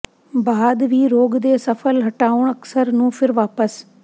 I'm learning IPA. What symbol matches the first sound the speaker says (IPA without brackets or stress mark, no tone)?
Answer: b